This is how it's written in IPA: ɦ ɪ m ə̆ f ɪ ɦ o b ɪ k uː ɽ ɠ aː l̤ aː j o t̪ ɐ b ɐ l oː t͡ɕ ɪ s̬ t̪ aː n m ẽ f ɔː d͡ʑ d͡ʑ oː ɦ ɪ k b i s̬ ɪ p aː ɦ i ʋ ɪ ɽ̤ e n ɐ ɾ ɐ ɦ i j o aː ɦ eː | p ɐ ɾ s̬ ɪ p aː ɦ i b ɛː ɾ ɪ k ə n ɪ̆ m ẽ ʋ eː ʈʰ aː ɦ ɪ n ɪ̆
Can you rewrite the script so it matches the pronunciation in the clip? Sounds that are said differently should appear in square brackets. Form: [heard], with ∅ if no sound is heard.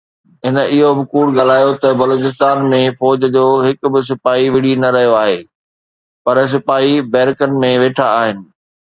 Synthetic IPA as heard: ɦ ɪ [n] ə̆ [∅] ɪ ɦ o b ɪ k uː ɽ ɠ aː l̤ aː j o t̪ ɐ b ɐ l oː t͡ɕ ɪ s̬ t̪ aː n m ẽ f ɔː d͡ʑ d͡ʑ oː ɦ ɪ k b [ɪ] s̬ ɪ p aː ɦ i ʋ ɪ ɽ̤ [i] n ɐ ɾ ɐ ɦ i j o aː ɦ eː | p ɐ ɾ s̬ ɪ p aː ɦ i b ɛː ɾ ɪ k ə n ɪ̆ m ẽ ʋ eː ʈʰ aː ɦ ɪ n ɪ̆